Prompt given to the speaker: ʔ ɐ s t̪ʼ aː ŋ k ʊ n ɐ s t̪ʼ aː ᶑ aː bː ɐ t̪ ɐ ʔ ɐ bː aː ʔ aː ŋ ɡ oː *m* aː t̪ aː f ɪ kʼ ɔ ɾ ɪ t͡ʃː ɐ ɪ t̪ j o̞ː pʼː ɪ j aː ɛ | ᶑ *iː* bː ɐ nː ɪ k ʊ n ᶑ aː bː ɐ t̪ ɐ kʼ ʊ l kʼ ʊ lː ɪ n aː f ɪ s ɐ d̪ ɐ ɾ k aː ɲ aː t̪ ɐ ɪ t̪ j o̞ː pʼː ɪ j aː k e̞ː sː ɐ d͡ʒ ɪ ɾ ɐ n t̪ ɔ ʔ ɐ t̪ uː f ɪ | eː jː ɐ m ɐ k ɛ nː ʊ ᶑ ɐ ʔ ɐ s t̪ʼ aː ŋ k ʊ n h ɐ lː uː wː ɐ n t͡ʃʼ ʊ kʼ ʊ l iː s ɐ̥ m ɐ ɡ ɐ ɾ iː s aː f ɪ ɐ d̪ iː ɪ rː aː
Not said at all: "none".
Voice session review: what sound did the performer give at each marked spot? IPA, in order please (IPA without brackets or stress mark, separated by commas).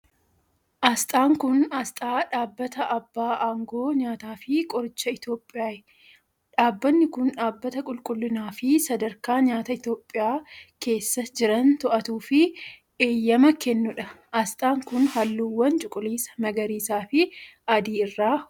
ɲ, aː